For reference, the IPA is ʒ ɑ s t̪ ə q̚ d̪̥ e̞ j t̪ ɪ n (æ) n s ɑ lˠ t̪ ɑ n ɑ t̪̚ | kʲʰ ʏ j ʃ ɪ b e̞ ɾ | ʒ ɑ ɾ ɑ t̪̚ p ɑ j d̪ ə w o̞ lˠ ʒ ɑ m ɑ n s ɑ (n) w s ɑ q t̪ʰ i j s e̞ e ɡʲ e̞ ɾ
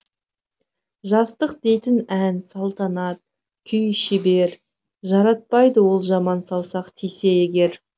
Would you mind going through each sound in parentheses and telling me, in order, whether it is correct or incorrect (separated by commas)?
correct, incorrect